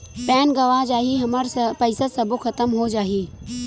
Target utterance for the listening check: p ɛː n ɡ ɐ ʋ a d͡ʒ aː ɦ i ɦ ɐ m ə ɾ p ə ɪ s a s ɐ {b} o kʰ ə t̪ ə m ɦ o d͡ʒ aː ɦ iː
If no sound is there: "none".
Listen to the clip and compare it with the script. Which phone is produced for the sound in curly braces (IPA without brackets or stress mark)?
b